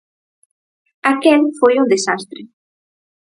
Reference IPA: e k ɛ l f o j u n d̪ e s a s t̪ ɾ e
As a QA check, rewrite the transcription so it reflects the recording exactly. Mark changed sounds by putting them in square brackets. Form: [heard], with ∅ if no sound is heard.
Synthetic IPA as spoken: [a] k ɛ l f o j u n d̪ e s a s t̪ ɾ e

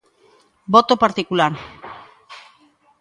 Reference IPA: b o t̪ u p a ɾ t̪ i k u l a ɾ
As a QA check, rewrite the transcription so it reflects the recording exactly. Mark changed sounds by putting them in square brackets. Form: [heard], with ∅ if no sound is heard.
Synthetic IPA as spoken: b o t̪ [o] p a ɾ t̪ i k u l a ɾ

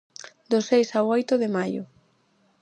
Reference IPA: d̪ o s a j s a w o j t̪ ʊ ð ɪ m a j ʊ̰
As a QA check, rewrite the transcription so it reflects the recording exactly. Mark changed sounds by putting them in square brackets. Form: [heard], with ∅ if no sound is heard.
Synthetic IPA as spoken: d̪ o s [e] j s a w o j t̪ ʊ ð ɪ m a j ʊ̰

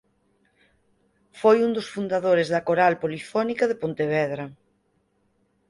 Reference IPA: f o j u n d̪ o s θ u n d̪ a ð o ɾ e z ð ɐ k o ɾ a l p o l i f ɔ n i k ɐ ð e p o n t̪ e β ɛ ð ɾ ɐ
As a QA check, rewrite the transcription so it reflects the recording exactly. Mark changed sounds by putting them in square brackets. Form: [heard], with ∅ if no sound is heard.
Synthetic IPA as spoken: f o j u n d̪ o s [f] u n d̪ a ð o ɾ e z ð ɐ k o ɾ a l p o l i f ɔ n i k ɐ ð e p o n t̪ e β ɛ ð ɾ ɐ

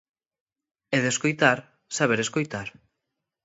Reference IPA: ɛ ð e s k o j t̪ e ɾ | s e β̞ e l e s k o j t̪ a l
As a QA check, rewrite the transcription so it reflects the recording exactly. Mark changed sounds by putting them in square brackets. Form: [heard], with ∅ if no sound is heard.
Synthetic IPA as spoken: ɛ ð e s k o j t̪ [a] ɾ | s [a] β̞ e [ɾ] e s k o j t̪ a [ɾ]

